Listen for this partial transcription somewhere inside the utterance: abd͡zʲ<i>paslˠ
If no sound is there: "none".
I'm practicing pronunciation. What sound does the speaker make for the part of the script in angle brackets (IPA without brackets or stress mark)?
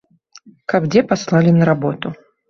ɛ